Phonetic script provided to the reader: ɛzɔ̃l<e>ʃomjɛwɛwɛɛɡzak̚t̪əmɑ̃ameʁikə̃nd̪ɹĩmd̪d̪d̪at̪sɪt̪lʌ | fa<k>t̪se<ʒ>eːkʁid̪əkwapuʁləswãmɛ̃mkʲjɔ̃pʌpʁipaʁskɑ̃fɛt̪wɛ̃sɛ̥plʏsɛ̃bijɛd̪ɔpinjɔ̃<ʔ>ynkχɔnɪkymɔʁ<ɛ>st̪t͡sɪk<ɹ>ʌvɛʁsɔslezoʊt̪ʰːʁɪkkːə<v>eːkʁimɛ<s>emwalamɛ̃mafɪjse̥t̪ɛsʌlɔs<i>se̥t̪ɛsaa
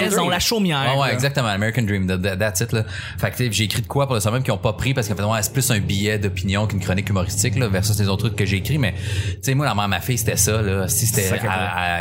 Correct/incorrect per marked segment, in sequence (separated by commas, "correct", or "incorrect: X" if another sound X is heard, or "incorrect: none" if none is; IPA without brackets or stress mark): incorrect: a, correct, correct, incorrect: k, incorrect: i, incorrect: l, incorrect: ʒ, incorrect: t͡s, correct